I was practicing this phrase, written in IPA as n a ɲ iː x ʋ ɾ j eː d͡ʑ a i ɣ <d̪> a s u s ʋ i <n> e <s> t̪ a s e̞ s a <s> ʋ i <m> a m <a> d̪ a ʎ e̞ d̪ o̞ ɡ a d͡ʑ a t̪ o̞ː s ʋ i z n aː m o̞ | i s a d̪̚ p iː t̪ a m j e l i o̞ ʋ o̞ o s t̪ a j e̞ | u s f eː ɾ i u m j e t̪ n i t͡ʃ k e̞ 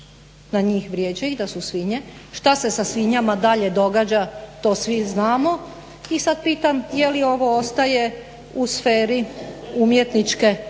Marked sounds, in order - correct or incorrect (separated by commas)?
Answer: correct, incorrect, incorrect, correct, incorrect, correct